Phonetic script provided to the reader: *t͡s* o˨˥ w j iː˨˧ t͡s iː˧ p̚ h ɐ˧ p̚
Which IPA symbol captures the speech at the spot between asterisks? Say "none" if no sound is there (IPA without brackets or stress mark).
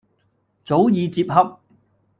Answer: t͡s